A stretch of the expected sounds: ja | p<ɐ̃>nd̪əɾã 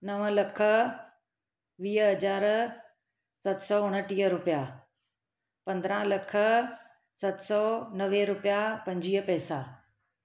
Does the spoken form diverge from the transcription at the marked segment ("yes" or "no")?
no